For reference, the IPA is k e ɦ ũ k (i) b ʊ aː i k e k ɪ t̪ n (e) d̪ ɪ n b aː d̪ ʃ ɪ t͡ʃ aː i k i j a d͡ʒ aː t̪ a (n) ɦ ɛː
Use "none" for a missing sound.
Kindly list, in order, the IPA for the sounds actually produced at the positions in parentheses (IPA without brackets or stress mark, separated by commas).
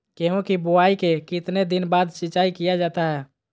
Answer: i, e, none